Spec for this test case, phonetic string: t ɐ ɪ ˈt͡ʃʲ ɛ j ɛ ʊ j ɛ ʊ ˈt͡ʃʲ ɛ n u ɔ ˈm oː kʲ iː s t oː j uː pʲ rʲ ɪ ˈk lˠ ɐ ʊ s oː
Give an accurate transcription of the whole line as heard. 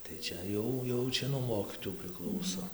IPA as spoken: t ɐ ɪ ˈt͡ʃʲ ɛ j ɛ ʊ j ɛ ʊ ˈt͡ʃʲ ɛ n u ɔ ˈm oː kʲ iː t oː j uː pʲ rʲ ɪ ˈk lˠ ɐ ʊ s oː